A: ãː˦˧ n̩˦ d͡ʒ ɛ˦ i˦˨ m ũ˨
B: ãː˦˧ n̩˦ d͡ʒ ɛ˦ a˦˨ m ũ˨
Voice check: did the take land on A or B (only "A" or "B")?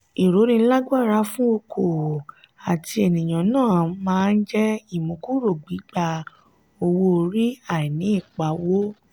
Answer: A